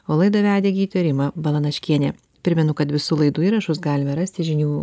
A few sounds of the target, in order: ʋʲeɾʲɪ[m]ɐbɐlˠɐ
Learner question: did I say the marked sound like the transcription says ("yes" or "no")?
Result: yes